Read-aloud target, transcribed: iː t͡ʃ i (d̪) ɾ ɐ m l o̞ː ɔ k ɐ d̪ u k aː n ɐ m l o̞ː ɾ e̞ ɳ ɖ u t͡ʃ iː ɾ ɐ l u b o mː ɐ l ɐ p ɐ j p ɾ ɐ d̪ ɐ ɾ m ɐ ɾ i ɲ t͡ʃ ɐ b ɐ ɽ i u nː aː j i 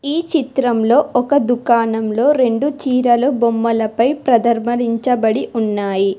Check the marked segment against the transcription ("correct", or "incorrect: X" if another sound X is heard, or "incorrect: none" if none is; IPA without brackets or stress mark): incorrect: t̪